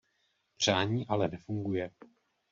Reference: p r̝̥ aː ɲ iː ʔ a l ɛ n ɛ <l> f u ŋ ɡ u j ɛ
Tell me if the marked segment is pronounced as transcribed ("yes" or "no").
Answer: no